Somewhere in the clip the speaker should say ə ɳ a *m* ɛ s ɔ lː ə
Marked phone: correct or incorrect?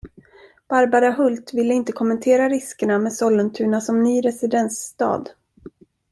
correct